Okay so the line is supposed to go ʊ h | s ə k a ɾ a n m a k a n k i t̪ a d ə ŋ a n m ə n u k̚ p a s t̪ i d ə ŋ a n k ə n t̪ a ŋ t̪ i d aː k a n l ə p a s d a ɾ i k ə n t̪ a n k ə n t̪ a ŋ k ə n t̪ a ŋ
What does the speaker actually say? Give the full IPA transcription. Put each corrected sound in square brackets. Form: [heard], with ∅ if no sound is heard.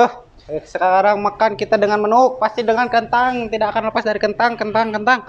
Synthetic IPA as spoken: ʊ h | s ə k a ɾ a [ŋ] m a k a n k i t̪ a d ə ŋ a n m ə n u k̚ p a s t̪ i d ə ŋ a n k ə n t̪ a ŋ t̪ i d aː k a n l ə p a s d a ɾ i k ə n t̪ a [ŋ] k ə n t̪ a ŋ k ə n t̪ a ŋ

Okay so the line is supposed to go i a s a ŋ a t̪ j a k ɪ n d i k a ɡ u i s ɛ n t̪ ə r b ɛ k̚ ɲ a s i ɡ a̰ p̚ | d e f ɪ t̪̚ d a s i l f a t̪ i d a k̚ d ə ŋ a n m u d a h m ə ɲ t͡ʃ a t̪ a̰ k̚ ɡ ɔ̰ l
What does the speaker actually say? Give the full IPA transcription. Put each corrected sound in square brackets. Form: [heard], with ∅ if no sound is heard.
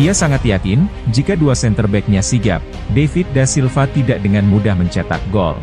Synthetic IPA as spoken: i a s a ŋ a t̪ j a k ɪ n [d͡ʒ] i k a [d] u [a] s ɛ n t̪ ə r b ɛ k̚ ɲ a s i ɡ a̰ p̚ | d e f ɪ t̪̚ d a s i l f a t̪ i d a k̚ d ə ŋ a n m u d a h m ə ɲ t͡ʃ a t̪ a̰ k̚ ɡ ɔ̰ l

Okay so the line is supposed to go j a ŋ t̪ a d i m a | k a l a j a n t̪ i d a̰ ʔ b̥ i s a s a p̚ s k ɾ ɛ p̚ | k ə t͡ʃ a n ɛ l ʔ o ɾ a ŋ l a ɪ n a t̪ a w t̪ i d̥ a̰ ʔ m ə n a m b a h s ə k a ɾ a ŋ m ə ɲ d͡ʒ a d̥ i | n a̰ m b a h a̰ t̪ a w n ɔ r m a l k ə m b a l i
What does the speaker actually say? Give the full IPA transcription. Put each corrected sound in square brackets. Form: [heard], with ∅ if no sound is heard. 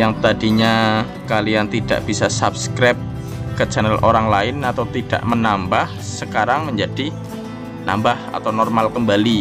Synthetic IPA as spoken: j a ŋ t̪ a d i [ɲ] a | k a l [i] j a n t̪ i d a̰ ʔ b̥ i s a s a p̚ s k ɾ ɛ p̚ | k ə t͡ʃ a n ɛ l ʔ o ɾ a ŋ l a ɪ n a t̪ a w t̪ i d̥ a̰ ʔ m ə n a m b a h s ə k a ɾ a ŋ m ə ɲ d͡ʒ a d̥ i | n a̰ m b a h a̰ t̪ a w n ɔ r m a l k ə m b a l i

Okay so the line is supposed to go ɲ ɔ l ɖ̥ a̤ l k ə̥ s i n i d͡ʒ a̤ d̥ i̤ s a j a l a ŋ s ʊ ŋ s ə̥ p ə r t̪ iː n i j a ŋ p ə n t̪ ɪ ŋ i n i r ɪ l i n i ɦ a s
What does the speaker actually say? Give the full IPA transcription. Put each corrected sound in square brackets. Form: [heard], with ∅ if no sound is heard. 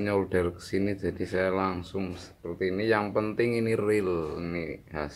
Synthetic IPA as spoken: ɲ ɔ l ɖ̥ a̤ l k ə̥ s i n i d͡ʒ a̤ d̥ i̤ s a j a l a ŋ s ʊ ŋ s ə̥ p ə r t̪ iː n i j a ŋ p ə n t̪ ɪ ŋ i n i r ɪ l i n i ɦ a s

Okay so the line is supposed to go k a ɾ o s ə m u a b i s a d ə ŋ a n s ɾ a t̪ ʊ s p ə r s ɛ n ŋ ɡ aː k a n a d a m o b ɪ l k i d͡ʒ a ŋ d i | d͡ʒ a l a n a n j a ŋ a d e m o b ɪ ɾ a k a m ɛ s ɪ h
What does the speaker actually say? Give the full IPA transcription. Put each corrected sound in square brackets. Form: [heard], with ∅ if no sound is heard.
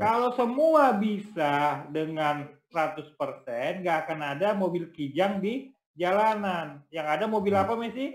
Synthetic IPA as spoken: k a [l] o s ə m u a b i s a d ə ŋ a n s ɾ a t̪ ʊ s p ə r s ɛ n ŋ ɡ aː k a n a d a m o b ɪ l k i d͡ʒ a ŋ d i | d͡ʒ a l a n a n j a ŋ a d [a] m o b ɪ [l] a [p] a m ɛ s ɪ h

